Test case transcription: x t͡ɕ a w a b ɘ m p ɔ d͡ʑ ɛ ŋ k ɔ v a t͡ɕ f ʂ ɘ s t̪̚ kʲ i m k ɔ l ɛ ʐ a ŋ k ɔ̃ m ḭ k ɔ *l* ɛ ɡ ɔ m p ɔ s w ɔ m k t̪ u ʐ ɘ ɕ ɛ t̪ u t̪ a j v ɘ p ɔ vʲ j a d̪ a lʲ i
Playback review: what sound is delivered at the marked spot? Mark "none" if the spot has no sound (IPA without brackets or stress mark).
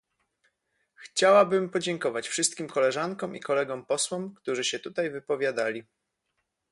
l